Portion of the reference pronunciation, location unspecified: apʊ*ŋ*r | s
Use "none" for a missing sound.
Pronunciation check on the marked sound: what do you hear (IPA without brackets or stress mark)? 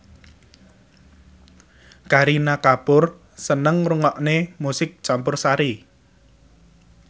none